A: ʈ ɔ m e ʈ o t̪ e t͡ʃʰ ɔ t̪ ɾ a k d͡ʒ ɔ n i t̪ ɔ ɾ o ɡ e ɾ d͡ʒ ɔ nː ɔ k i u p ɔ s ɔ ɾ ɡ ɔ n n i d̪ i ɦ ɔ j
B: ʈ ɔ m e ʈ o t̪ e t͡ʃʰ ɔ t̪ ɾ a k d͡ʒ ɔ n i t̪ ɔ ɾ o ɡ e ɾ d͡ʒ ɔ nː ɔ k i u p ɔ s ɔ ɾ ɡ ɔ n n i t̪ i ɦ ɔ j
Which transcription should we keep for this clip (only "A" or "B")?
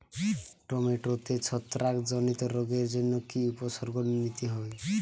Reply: B